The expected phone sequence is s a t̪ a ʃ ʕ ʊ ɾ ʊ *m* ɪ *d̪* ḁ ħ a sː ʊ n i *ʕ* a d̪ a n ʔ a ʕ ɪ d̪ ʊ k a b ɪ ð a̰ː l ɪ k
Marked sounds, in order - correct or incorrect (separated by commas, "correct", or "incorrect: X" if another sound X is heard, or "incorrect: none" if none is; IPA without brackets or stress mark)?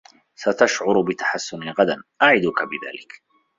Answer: incorrect: b, incorrect: t̪, incorrect: ɣ